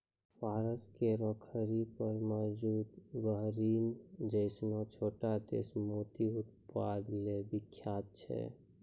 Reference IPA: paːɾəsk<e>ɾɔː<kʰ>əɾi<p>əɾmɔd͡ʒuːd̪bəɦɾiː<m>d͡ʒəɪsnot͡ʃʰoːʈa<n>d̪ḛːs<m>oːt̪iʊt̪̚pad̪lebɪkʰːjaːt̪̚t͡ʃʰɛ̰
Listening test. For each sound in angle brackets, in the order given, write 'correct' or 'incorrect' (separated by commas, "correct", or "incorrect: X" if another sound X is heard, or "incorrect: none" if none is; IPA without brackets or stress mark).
correct, correct, correct, correct, incorrect: none, correct